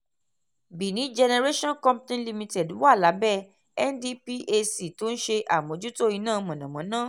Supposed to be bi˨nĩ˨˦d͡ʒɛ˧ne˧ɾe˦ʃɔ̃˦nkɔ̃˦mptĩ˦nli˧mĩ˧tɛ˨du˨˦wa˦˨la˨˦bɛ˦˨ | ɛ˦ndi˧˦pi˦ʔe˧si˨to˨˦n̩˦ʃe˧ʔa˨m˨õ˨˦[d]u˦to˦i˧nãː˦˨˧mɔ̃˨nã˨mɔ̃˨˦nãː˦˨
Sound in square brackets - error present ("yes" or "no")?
yes